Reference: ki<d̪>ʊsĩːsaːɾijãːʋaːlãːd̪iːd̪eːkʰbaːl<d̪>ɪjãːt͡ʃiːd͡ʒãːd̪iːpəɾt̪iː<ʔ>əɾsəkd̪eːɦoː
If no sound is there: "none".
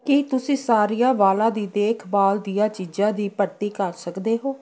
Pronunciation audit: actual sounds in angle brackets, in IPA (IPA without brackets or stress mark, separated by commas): t̪, d̪, k